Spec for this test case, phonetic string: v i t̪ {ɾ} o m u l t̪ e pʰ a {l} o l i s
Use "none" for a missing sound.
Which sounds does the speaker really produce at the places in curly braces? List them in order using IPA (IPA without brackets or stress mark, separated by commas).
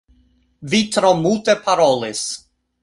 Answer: ɾ, ɾ